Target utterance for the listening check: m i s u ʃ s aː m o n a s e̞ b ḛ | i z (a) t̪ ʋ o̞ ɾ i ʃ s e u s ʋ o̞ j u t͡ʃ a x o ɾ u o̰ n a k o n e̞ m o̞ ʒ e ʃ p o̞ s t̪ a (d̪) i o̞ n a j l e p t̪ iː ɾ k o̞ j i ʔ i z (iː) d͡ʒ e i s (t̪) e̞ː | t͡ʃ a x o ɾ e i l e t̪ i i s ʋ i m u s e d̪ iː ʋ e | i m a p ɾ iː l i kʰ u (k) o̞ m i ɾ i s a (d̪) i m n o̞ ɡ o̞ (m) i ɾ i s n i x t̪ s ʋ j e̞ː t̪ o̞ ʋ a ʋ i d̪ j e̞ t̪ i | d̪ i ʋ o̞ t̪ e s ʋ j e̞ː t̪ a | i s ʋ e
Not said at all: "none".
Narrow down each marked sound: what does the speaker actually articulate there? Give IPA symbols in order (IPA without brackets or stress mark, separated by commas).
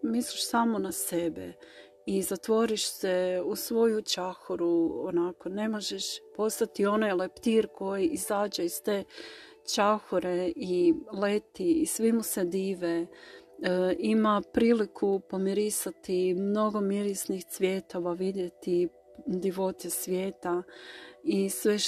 a, t̪, aː, t̪, p, t̪, m